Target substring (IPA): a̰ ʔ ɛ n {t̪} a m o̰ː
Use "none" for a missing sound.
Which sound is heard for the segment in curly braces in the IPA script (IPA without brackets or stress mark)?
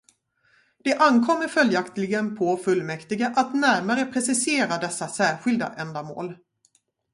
d̪